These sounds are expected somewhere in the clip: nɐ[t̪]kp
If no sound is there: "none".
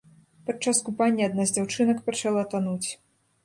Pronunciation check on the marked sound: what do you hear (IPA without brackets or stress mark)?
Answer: none